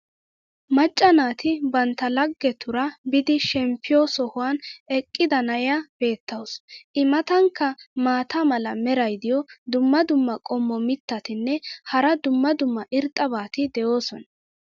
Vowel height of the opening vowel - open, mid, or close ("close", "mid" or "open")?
open